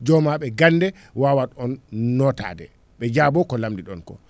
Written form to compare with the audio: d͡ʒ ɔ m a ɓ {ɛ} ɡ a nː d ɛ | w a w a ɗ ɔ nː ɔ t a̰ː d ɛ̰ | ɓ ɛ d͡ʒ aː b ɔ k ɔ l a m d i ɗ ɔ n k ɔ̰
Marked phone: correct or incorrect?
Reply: correct